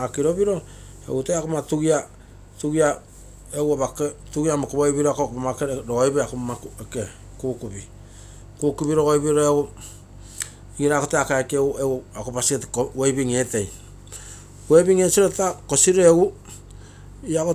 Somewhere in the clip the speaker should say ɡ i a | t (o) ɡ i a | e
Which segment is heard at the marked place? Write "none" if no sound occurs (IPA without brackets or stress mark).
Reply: u